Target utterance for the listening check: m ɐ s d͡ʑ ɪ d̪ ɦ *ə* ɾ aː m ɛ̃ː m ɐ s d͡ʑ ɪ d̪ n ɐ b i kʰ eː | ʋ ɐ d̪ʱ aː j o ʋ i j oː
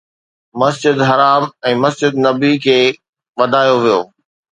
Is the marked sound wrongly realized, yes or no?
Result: yes